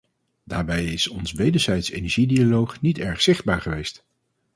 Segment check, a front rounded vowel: absent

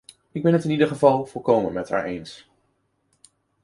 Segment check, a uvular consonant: present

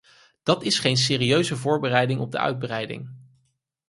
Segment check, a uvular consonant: present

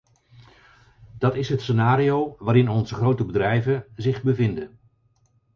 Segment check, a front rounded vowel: absent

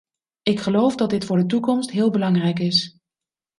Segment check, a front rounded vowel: absent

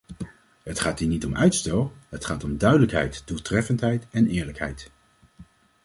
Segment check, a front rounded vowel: present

